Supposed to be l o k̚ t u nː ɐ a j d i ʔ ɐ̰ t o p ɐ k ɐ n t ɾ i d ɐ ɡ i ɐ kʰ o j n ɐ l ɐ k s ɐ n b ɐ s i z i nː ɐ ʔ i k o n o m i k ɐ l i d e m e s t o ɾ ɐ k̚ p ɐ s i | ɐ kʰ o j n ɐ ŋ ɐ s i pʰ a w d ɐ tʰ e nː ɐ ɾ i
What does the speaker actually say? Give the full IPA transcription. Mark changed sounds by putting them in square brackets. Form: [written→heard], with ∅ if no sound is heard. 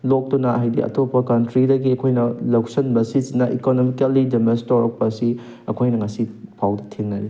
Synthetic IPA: l o k̚ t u [nː→n] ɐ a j d i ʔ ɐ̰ t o p ɐ k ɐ n t ɾ i d ɐ ɡ i ɐ kʰ o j n ɐ l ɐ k s ɐ n b ɐ s i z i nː ɐ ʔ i k o n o m i k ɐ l i d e m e s t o ɾ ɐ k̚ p ɐ s i | ɐ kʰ o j n ɐ ŋ ɐ s i pʰ a w d ɐ tʰ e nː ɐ ɾ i